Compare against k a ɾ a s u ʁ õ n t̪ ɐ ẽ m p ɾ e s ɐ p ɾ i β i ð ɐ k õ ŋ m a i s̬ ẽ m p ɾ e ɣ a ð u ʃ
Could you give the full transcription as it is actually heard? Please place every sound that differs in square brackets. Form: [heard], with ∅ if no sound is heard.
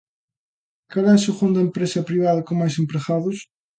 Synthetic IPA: k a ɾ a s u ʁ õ n [d̪] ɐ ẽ m p ɾ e s ɐ p ɾ i β [a] ð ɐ k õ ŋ m a [j] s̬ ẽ m p ɾ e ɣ a ð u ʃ